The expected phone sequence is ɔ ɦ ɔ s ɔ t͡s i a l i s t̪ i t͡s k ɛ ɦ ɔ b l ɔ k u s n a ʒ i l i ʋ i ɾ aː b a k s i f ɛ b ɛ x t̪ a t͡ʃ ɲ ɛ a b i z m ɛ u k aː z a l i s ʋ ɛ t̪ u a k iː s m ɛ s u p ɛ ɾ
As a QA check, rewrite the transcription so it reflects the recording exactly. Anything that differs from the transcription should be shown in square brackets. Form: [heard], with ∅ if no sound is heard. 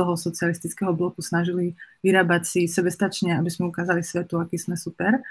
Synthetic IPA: ɔ ɦ ɔ s ɔ t͡s i a l i s t̪ i t͡s k ɛ ɦ ɔ b l ɔ k u s n a ʒ i l i ʋ i ɾ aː b a [c] s i [s] ɛ b ɛ [s] t̪ a t͡ʃ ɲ ɛ a b i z m ɛ u k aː z a l i s ʋ ɛ t̪ u a k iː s m ɛ s u p ɛ ɾ